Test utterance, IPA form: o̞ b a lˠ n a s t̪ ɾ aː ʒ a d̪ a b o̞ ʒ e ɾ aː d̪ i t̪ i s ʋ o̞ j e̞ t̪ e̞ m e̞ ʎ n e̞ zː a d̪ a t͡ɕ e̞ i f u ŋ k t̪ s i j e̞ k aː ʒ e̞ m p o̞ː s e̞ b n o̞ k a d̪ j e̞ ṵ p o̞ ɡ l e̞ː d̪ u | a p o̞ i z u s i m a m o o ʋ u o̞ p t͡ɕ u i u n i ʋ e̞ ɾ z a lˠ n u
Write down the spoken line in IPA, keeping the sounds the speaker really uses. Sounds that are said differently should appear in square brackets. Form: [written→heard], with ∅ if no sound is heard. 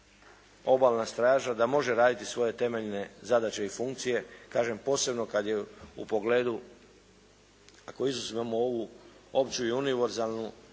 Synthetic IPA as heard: o̞ b a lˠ n a s t̪ ɾ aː ʒ a d̪ a [b→m] o̞ ʒ e ɾ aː d̪ i t̪ i s ʋ o̞ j e̞ t̪ e̞ m e̞ ʎ n e̞ [zː→z] a d̪ a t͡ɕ e̞ i f u ŋ k t̪ s i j e̞ k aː ʒ e̞ m p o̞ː s e̞ b n o̞ k a d̪ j e̞ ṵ p o̞ ɡ l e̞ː d̪ u | a [p→k] o̞ i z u s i m a m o o ʋ u o̞ p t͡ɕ u i u n i ʋ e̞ ɾ z a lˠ n u

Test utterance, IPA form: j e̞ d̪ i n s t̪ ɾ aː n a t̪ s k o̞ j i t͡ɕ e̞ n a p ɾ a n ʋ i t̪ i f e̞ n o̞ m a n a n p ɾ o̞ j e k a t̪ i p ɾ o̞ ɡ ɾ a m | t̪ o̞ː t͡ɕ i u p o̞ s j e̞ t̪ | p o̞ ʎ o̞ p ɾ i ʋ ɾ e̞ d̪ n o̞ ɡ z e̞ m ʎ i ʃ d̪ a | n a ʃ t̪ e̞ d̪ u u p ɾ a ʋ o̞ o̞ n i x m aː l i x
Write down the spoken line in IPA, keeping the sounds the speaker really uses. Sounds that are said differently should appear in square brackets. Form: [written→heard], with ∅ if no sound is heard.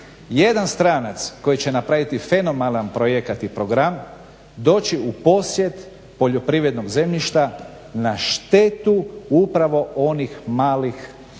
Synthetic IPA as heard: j e̞ d̪ [i→a] n s t̪ ɾ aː n a t̪ s k o̞ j i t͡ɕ e̞ n a p ɾ a [n→∅] ʋ i t̪ i f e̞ n o̞ m a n a n p ɾ o̞ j e k a t̪ i p ɾ o̞ ɡ ɾ a m | [t̪→d̪] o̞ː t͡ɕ i u p o̞ s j e̞ t̪ | p o̞ ʎ o̞ p ɾ i ʋ ɾ e̞ d̪ n o̞ ɡ z e̞ m ʎ i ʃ [d̪→t̪] a | n a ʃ t̪ e̞ [d̪→t̪] u u p ɾ a ʋ o̞ o̞ n i x m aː l i x

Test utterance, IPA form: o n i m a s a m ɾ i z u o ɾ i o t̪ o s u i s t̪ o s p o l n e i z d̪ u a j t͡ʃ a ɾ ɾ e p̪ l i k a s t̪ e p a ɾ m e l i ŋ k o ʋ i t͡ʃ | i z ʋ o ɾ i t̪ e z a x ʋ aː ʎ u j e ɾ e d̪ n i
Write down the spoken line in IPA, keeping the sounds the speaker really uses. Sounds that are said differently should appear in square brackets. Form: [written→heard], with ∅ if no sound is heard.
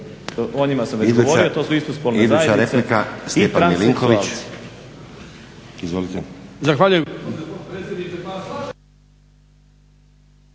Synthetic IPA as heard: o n i m a s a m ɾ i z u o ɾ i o t̪ o s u i s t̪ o s p o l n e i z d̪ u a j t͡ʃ a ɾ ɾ e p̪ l i k a s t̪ e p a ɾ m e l i ŋ k o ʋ i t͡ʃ | i z ʋ o [ɾ→l] i t̪ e z a x ʋ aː ʎ u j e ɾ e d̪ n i

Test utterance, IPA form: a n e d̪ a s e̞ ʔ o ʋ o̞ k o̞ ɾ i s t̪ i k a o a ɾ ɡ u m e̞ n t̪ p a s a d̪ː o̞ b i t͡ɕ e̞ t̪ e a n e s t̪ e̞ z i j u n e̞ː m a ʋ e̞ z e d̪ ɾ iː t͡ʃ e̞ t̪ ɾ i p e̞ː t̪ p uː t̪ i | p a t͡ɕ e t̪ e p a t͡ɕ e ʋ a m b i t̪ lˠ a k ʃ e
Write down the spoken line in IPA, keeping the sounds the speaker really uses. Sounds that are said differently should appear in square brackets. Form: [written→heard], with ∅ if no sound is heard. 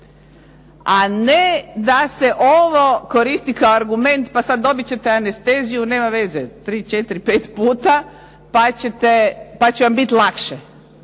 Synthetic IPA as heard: a n e d̪ a s e̞ ʔ o ʋ o̞ k o̞ ɾ i s t̪ i k a o a ɾ ɡ u m e̞ n t̪ p a s a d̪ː o̞ b i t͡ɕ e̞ t̪ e a n e s t̪ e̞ z i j u n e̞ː m a ʋ e̞ z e [d̪→t̪] ɾ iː t͡ʃ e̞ t̪ ɾ i p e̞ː t̪ p uː t̪ [i→a] | p a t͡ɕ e t̪ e p a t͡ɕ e ʋ a m b i t̪ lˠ a k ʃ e

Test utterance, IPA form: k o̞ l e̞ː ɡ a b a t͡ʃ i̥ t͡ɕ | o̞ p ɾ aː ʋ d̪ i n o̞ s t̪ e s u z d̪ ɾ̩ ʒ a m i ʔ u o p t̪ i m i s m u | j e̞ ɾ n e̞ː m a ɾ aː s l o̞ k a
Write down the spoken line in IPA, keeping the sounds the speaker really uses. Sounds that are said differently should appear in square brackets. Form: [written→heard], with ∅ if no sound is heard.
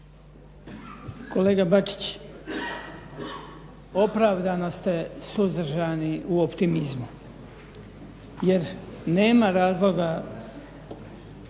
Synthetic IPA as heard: k o̞ l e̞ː ɡ a b a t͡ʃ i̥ t͡ɕ | o̞ p ɾ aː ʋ d̪ [i→a] n o̞ s t̪ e s u z d̪ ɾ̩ ʒ a [m→n] i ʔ u o p t̪ i m i [s→z] m u | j e̞ ɾ n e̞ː m a ɾ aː [s→z] l o̞ [k→ɡ] a

